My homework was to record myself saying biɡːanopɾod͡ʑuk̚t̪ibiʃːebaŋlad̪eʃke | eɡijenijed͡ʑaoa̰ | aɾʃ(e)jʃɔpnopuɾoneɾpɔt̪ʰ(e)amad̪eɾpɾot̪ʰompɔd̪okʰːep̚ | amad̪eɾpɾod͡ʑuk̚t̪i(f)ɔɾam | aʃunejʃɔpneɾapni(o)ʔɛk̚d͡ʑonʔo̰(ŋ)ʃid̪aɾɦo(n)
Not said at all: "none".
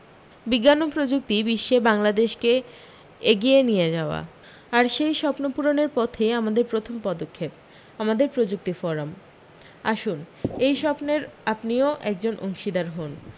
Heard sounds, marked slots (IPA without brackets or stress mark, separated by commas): e, e, f, o, ŋ, n